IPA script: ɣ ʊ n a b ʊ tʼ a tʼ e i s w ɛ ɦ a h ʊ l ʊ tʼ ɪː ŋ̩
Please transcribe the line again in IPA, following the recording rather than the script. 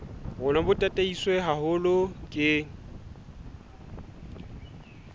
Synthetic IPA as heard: ɣ ʊ n a b ʊ tʼ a tʼ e i s w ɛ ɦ a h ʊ l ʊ kʼ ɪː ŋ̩